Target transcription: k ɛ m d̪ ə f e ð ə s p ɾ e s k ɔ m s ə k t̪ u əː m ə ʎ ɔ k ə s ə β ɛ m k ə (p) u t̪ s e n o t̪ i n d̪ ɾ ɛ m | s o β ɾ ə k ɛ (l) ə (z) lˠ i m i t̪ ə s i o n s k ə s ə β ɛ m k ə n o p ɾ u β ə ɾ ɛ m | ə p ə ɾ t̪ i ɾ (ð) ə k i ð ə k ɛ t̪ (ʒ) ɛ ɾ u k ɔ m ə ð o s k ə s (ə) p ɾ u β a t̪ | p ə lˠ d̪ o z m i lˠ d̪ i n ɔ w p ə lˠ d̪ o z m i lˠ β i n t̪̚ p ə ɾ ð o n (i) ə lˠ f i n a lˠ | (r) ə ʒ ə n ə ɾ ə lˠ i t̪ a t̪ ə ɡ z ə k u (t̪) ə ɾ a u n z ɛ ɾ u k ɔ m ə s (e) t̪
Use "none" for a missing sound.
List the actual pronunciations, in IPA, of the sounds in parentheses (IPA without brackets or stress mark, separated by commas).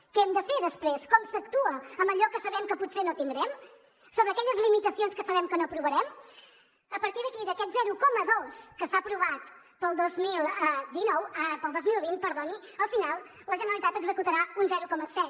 p, ʎ, z, ð, z, a, i, l, t̪, ɛ